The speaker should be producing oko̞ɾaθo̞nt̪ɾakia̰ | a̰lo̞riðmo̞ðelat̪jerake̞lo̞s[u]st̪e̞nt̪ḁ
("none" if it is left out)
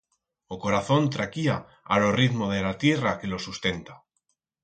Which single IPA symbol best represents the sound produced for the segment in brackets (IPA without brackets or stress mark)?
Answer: u